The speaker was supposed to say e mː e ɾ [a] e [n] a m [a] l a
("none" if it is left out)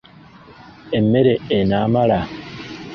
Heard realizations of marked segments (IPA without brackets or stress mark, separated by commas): e, n, a